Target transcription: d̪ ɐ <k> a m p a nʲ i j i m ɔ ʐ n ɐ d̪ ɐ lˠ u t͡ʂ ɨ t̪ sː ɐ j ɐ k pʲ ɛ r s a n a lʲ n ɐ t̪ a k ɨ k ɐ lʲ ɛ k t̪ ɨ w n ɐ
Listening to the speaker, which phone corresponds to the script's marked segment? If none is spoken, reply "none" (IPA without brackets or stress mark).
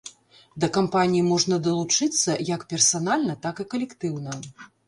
k